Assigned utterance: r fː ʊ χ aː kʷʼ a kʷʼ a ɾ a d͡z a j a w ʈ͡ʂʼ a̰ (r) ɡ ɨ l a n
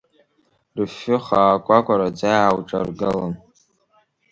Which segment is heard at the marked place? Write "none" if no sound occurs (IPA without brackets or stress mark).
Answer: r